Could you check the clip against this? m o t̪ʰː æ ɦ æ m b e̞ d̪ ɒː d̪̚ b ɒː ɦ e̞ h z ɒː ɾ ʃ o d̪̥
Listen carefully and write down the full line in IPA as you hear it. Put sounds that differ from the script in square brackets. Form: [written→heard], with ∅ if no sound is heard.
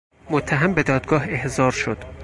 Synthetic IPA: m o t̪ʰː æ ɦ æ m b e̞ d̪ ɒː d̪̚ [b→ɡ] ɒː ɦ e̞ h z ɒː ɾ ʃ o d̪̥